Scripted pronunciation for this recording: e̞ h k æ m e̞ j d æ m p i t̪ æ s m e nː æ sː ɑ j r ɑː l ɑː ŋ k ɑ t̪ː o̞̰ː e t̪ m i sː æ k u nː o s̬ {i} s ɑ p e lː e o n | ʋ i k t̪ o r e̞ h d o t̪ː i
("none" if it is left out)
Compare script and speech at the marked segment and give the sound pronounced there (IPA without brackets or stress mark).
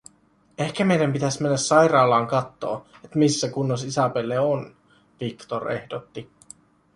i